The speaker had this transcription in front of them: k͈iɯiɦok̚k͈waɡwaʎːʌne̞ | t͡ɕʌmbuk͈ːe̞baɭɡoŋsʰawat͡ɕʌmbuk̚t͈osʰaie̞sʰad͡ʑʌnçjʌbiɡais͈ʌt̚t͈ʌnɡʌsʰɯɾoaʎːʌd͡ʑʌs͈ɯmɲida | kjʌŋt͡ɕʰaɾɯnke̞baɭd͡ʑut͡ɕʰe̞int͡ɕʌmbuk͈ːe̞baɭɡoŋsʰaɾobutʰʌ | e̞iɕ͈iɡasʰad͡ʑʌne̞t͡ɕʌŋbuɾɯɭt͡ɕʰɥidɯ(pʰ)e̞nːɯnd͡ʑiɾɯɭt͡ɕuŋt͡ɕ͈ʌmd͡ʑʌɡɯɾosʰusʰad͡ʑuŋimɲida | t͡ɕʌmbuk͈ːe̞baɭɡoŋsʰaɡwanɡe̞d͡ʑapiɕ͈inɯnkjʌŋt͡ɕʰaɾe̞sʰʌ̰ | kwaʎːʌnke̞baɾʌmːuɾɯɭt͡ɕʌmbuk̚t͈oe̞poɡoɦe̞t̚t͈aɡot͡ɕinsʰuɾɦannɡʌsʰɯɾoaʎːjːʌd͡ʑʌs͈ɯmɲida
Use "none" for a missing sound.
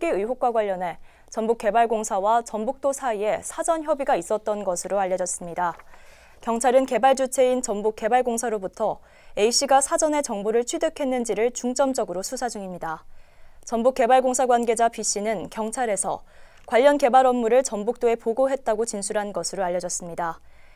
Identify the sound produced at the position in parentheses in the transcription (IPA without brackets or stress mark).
kʰ